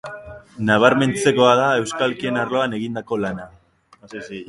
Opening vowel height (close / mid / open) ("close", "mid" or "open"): open